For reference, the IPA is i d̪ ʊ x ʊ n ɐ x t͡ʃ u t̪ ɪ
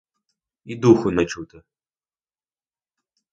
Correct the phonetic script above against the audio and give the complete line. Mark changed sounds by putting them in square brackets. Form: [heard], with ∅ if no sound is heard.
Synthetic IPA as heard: i d̪ [u] x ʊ n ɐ [∅] t͡ʃ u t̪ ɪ